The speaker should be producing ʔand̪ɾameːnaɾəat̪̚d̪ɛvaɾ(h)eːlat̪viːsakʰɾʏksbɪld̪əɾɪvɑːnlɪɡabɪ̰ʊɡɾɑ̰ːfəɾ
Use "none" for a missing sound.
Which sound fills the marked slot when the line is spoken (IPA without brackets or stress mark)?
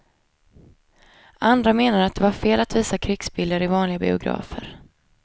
f